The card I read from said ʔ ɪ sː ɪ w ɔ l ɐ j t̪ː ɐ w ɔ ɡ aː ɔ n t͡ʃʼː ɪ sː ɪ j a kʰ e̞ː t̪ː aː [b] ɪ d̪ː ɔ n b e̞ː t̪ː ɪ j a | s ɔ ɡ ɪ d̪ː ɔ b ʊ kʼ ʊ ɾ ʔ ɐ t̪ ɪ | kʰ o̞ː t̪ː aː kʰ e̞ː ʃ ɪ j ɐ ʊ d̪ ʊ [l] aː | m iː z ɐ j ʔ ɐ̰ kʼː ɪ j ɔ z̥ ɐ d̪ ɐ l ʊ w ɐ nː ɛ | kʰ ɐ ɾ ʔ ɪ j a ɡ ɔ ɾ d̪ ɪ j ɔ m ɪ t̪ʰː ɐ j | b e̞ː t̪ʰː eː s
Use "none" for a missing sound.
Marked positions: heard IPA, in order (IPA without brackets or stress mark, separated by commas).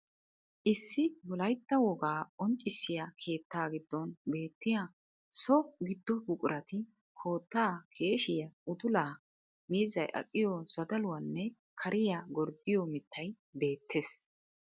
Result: ɡ, l